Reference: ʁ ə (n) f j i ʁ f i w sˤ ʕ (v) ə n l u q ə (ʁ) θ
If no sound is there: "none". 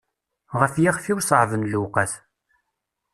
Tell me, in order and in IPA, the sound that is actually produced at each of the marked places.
none, v, none

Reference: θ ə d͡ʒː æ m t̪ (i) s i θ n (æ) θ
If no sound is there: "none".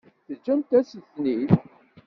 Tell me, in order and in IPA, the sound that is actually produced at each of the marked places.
æ, i

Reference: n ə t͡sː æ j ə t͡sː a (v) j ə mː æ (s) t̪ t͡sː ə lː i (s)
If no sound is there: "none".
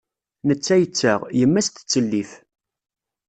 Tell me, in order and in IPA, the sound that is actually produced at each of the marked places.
ʁ, s, θ

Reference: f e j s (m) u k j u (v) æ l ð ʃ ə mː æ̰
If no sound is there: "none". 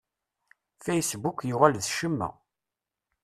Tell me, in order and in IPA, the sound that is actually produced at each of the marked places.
b, ʁ

